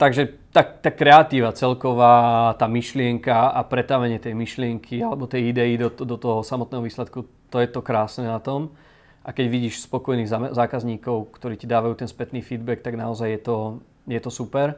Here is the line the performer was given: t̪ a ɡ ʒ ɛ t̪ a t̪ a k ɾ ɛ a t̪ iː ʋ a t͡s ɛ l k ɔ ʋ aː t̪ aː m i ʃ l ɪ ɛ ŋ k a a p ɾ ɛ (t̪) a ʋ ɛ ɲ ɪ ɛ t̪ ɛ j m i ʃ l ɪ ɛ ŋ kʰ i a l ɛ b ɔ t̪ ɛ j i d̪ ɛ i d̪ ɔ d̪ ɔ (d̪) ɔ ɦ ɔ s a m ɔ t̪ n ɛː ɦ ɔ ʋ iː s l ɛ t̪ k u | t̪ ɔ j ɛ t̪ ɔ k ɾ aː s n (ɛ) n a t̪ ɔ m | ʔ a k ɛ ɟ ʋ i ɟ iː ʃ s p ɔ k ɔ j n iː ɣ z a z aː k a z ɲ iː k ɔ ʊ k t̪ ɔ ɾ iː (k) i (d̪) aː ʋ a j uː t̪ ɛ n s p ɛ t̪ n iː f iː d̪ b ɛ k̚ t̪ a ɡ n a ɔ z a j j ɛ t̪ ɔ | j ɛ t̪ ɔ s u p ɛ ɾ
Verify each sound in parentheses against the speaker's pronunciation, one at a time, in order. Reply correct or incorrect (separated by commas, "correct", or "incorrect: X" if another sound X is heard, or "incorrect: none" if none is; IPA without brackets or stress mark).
correct, incorrect: t̪, correct, incorrect: c, correct